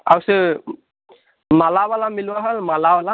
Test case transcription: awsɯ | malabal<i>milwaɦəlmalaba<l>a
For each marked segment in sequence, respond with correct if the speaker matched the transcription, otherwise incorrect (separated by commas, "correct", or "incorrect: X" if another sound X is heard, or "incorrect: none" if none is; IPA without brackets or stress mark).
incorrect: a, correct